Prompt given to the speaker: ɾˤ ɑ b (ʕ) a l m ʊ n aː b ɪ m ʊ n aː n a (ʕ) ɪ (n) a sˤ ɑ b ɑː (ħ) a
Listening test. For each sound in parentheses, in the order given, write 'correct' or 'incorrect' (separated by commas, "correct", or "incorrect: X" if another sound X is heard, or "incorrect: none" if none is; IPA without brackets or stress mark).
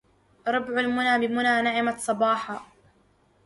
correct, correct, incorrect: m, correct